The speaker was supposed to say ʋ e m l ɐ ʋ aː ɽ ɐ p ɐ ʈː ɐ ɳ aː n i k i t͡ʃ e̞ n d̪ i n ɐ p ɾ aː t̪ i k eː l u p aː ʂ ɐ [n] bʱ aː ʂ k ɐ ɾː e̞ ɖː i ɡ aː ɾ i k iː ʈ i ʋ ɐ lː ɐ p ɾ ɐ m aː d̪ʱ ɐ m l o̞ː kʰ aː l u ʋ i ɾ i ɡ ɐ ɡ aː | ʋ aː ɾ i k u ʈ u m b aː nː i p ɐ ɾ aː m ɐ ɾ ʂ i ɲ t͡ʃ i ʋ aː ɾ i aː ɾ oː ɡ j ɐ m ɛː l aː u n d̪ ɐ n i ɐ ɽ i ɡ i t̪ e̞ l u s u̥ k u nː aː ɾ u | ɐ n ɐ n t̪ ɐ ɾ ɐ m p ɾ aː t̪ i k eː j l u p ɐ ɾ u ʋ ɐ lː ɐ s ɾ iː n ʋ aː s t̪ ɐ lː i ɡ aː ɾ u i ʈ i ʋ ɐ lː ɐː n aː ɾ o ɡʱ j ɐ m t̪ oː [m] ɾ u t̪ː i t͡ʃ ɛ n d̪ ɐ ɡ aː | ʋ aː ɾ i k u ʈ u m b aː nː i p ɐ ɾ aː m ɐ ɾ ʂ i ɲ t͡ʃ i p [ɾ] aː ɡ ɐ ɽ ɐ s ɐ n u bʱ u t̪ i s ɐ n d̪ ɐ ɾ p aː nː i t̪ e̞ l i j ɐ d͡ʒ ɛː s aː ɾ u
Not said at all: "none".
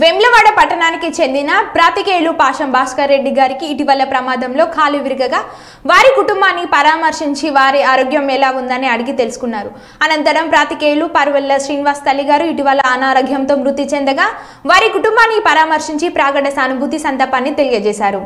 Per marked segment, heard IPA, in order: m, m, ɾ

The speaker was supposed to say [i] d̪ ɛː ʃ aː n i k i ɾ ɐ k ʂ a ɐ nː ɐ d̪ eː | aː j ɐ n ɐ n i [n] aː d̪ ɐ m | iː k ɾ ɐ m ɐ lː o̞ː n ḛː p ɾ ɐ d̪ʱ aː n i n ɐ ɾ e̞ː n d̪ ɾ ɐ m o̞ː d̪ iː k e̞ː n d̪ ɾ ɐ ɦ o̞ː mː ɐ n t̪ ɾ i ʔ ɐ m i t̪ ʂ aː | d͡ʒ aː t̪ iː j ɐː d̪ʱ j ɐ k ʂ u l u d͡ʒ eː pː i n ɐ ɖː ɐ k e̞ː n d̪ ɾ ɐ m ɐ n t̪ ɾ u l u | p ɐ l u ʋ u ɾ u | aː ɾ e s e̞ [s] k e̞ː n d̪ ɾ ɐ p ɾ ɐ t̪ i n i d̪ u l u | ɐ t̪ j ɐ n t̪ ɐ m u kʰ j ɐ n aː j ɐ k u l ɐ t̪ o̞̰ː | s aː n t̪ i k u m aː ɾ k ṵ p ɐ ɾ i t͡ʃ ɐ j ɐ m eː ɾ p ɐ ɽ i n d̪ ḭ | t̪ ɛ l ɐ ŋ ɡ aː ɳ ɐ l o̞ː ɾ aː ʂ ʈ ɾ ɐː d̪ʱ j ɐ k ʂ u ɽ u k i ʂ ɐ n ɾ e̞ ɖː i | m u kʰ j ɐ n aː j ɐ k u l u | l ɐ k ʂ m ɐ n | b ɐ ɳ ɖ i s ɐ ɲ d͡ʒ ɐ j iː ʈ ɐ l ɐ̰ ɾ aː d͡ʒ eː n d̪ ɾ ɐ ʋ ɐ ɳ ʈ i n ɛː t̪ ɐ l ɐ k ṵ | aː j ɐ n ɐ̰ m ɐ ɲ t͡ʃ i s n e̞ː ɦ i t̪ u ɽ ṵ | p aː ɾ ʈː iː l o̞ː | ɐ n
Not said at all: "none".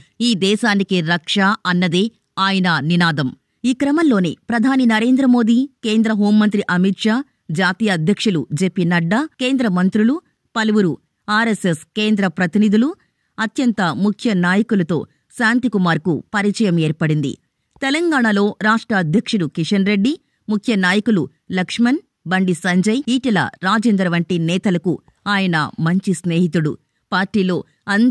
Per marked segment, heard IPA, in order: iː, n, s

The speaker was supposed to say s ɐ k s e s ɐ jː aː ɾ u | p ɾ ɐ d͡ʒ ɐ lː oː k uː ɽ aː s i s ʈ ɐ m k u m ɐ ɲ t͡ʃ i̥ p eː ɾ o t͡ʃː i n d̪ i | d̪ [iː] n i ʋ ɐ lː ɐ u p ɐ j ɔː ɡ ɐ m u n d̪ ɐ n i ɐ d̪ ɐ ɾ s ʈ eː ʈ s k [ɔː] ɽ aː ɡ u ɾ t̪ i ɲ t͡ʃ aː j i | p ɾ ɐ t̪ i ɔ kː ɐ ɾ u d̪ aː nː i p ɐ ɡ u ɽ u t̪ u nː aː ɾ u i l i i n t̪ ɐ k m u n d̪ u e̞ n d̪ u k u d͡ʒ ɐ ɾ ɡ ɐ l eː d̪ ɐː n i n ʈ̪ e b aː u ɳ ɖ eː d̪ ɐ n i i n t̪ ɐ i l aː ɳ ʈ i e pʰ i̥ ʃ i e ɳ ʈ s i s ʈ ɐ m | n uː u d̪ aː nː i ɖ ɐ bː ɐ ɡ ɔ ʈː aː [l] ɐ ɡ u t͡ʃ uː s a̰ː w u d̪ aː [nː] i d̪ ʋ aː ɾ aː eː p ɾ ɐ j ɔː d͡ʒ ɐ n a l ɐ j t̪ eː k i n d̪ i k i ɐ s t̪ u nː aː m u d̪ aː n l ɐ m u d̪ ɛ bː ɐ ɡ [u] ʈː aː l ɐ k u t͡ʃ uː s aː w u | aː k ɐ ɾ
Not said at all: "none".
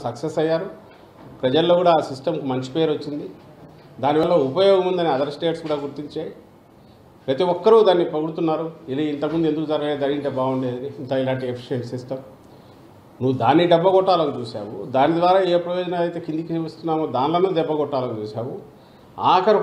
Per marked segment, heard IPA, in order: aː, uː, l, n, ɔ

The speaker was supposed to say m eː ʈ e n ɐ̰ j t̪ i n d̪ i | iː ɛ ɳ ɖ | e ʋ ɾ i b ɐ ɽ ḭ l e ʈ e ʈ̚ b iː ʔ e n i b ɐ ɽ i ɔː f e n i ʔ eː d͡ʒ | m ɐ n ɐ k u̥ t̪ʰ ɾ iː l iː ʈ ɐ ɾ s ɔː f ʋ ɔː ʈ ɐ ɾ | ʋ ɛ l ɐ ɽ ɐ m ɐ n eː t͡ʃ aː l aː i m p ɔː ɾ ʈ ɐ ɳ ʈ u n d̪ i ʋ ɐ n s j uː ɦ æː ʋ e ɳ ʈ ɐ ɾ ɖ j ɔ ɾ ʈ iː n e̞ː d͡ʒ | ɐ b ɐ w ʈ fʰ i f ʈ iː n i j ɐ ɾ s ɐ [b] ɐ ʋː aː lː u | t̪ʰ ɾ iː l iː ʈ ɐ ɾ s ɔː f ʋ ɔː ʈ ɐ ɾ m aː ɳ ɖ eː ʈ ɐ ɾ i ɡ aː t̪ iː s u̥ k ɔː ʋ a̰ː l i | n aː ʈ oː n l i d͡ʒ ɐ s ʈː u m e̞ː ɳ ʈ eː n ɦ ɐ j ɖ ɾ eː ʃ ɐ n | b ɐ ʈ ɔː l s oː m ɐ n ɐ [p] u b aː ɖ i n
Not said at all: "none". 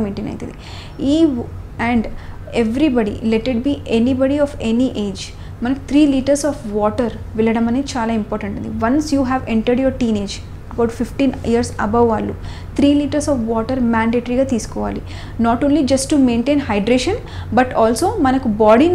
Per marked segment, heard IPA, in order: b, k

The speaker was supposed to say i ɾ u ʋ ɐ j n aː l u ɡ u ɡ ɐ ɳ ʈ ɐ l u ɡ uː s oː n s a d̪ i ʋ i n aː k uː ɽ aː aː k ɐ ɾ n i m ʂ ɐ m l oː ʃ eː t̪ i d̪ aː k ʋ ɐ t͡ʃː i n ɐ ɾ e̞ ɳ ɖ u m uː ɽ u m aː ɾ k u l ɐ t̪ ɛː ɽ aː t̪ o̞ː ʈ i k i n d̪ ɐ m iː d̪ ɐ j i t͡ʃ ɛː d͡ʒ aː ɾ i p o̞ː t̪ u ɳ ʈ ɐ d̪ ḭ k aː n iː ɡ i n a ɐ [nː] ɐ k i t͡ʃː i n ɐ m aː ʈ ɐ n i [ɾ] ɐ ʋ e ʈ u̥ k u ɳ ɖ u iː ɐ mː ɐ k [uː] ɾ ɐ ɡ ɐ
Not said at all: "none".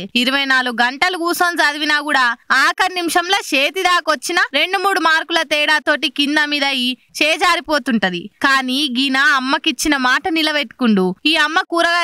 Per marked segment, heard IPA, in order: mː, l, uː

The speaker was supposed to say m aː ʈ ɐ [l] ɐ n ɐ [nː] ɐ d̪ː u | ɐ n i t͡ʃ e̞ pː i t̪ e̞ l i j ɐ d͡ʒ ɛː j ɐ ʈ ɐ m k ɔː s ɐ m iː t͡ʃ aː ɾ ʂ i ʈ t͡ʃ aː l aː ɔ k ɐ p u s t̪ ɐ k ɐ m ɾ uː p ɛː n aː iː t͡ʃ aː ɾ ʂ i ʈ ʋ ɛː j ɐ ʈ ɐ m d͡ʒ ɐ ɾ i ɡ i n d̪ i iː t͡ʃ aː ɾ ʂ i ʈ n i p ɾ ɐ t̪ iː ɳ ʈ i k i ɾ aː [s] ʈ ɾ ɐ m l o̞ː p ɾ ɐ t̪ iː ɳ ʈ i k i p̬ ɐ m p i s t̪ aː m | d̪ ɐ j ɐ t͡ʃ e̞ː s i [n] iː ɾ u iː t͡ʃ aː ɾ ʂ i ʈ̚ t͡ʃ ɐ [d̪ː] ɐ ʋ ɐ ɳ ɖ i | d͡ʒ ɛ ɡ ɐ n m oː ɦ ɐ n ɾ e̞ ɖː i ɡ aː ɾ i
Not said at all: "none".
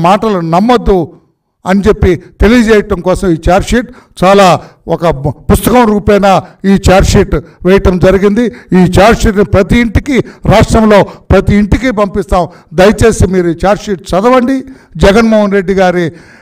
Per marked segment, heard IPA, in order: l, mː, ʂ, m, d̪

